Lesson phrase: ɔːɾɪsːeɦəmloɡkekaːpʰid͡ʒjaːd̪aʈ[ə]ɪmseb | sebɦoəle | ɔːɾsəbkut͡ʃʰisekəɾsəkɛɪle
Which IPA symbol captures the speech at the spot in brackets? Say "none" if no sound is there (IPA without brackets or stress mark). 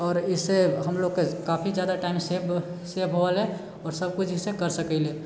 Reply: a